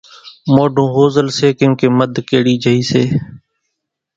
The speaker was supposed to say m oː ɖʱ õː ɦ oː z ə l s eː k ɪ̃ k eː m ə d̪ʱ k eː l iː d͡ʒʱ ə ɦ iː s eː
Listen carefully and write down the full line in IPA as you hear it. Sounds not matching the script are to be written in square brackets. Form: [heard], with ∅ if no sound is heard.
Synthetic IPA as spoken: m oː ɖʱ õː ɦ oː z ə l s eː k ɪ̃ k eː m ə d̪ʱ k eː [ɽ] iː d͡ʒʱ ə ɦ iː s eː